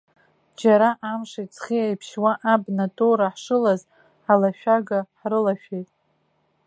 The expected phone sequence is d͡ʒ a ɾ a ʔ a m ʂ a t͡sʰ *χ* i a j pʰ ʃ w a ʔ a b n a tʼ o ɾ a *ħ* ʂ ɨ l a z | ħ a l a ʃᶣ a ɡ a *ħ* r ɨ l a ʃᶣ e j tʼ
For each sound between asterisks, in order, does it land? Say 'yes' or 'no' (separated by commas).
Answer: yes, yes, yes